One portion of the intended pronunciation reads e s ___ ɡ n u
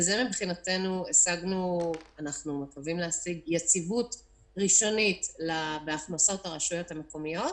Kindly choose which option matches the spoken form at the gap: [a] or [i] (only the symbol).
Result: a